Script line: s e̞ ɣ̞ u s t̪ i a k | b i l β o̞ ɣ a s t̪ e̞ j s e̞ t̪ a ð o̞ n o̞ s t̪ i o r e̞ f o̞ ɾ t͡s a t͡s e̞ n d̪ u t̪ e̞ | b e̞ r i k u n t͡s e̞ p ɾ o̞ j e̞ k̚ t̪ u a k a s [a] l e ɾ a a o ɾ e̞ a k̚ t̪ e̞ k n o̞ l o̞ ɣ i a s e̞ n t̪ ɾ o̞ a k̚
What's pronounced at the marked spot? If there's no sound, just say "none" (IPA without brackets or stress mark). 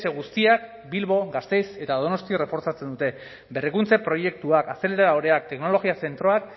e